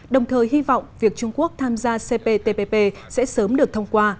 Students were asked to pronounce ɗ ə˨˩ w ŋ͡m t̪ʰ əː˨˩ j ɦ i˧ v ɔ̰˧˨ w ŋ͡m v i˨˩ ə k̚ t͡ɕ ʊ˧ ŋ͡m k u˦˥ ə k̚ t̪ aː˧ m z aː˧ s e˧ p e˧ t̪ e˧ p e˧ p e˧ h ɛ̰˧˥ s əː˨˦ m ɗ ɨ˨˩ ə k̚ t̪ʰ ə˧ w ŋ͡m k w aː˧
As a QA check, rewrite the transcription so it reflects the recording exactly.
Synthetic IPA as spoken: ɗ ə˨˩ w ŋ͡m t̪ʰ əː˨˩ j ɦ i˧ v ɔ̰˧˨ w ŋ͡m v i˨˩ ə k̚ t͡ɕ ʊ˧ ŋ͡m k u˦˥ ə k̚ t̪ʰ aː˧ m z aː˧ s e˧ p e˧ t̪ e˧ p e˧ p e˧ s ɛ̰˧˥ s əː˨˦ m ɗ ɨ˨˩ ə k̚ t̪ʰ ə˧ w ŋ͡m k w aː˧